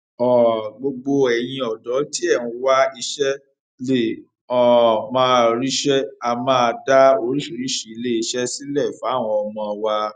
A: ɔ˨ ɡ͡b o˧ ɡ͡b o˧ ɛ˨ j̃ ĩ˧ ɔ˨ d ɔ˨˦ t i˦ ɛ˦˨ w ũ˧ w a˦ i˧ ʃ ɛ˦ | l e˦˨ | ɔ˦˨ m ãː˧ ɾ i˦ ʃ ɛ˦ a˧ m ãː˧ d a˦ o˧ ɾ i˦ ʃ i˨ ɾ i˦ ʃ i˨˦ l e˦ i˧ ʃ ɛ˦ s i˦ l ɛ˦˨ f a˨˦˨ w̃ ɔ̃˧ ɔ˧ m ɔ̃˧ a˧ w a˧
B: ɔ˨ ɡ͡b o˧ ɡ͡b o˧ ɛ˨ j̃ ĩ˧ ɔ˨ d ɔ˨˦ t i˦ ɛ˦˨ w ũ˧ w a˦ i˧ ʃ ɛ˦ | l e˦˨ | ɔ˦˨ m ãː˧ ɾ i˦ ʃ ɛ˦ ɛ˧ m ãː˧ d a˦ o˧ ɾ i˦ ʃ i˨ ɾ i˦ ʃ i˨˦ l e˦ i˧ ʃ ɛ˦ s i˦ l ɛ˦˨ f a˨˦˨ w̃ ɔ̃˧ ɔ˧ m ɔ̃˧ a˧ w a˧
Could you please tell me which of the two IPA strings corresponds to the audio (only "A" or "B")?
A